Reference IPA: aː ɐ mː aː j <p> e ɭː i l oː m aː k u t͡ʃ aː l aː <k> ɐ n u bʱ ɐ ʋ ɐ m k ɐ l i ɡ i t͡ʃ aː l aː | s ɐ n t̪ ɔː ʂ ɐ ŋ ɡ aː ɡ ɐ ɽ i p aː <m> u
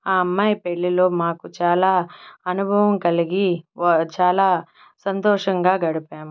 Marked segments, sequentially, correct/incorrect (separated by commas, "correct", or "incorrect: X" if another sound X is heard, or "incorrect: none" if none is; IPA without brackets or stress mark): correct, incorrect: none, correct